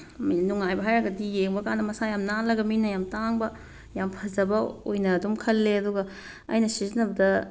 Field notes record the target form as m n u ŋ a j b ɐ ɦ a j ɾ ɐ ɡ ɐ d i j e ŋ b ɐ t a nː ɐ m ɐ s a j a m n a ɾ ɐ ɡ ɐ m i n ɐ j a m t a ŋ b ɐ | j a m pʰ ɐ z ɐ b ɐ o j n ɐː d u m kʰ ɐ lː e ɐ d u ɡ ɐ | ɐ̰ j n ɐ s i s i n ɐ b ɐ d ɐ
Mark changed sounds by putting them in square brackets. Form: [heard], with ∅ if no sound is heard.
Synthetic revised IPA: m n u ŋ a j b ɐ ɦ a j ɾ ɐ ɡ ɐ d i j e ŋ b ɐ [k] a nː ɐ m ɐ s a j a m n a [l] ɐ ɡ ɐ m i n ɐ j a m t a ŋ b ɐ | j a m pʰ ɐ z ɐ b ɐ o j n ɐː d u m kʰ ɐ lː e ɐ d u ɡ ɐ | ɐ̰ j n ɐ s i [z] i n ɐ b ɐ d ɐ